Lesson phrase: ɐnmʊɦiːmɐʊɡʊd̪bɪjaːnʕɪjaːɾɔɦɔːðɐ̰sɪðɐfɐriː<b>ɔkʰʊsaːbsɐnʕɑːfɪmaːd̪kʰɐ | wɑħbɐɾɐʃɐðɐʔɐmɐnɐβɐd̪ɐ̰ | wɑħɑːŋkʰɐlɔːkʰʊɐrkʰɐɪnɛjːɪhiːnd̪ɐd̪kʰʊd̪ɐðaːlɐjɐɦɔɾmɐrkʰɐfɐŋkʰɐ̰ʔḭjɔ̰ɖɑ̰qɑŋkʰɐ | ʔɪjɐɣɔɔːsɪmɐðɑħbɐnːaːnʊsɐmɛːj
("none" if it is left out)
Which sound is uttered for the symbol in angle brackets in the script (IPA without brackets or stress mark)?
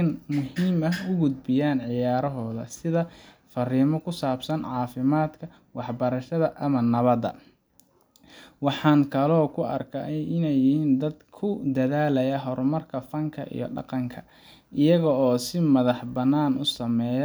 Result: m